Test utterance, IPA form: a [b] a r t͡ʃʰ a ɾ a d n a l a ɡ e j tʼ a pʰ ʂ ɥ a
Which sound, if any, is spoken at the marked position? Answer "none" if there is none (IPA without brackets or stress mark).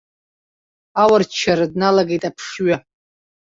w